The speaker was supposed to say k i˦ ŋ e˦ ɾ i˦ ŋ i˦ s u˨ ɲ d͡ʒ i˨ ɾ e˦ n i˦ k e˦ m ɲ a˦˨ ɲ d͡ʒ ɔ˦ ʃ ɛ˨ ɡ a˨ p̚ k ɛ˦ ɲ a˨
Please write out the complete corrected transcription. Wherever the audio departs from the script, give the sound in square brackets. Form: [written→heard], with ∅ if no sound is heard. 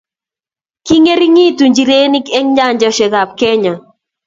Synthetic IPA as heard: k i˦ ŋ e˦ ɾ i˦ ŋ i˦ [s→t] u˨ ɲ d͡ʒ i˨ ɾ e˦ n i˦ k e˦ [m→ŋ] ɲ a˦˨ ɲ d͡ʒ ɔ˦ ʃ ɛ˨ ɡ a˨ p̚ k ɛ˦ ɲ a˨